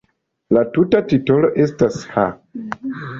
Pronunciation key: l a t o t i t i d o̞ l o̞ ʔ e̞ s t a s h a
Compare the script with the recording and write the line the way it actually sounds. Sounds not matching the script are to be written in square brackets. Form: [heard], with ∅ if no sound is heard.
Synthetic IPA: l a t [u] t [a] t i [t] o̞ l o̞ ʔ e̞ s t a s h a